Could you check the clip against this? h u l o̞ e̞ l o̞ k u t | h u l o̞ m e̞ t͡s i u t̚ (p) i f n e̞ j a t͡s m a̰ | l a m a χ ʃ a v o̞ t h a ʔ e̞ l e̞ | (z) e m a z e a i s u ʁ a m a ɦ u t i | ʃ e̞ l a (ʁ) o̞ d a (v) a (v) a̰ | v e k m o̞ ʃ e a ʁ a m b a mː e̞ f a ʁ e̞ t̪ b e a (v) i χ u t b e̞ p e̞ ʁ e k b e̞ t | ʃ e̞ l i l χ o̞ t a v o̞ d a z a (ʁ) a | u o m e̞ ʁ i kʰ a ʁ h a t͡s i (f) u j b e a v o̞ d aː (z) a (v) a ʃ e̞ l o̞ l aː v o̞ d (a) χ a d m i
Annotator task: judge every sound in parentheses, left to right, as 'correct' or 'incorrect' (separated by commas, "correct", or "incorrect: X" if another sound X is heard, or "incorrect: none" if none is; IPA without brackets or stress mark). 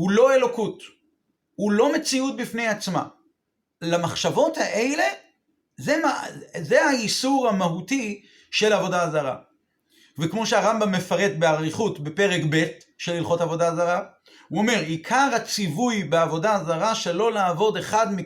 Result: incorrect: b, correct, incorrect: v, incorrect: z, incorrect: ʁ, incorrect: ʁ, correct, incorrect: v, correct, incorrect: ʁ, incorrect: e